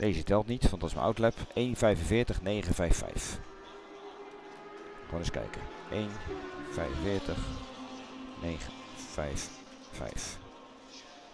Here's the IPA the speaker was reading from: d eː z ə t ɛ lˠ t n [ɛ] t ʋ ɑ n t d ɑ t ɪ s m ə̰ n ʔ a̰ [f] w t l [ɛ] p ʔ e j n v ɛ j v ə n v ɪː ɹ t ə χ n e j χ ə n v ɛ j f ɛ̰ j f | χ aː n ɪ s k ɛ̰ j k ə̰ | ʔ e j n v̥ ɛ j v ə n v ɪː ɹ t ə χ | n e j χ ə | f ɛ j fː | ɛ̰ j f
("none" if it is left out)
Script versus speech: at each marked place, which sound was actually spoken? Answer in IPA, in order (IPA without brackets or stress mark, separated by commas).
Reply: i, none, ɛ